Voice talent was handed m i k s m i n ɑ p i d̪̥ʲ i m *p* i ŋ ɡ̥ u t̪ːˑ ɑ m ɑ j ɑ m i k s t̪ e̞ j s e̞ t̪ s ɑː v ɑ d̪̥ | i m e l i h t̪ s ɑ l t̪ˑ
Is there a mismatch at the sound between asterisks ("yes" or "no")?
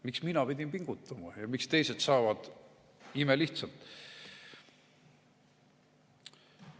no